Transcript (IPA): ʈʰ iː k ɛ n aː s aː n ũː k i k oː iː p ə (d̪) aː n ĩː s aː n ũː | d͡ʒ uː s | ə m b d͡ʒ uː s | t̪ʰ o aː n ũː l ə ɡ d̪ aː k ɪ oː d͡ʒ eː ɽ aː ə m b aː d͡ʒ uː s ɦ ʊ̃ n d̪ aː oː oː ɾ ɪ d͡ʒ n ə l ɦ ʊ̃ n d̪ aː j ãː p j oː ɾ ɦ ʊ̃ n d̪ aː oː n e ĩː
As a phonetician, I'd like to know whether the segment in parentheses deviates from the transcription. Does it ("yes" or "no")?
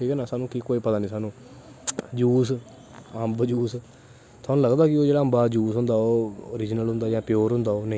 yes